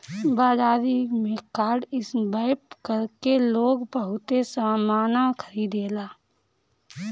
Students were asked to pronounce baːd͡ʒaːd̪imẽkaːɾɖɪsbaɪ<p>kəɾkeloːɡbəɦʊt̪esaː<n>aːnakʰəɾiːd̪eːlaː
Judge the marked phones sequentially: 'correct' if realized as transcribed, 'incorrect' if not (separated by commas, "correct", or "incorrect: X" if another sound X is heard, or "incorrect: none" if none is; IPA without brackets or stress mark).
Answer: correct, incorrect: m